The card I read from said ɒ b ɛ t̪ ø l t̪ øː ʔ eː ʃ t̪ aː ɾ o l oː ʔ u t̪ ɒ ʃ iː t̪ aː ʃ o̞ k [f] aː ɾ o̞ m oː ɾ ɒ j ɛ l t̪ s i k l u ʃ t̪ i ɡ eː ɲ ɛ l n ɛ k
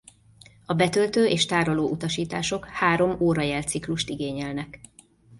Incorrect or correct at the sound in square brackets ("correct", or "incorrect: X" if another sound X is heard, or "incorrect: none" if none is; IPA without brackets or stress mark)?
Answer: incorrect: h